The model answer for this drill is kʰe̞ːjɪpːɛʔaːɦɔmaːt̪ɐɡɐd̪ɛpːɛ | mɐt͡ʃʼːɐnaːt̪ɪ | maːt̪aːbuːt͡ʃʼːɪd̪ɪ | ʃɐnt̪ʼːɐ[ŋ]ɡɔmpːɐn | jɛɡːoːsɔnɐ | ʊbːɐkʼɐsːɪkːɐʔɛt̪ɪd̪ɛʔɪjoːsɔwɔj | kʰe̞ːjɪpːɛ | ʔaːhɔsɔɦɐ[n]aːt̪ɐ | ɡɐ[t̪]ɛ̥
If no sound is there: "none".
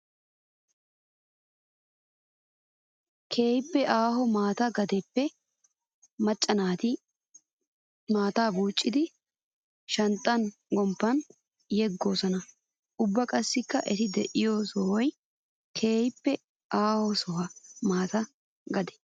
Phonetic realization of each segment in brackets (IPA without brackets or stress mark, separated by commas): n, m, d̪